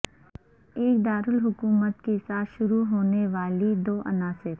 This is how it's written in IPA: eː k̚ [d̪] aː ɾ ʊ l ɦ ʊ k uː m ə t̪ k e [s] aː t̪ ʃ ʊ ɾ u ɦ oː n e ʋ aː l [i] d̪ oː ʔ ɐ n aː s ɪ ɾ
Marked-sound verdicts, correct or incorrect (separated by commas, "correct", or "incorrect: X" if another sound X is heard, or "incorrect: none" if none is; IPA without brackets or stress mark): correct, correct, correct